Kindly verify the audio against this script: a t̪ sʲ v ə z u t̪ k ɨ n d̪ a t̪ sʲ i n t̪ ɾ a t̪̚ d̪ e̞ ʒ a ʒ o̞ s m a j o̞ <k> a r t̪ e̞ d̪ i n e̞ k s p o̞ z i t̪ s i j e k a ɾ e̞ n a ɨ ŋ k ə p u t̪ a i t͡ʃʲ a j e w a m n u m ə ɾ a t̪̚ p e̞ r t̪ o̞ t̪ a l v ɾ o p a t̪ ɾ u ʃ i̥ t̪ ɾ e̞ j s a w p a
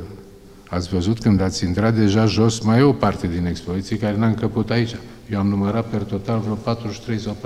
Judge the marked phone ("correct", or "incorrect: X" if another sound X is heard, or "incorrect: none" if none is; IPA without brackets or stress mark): incorrect: p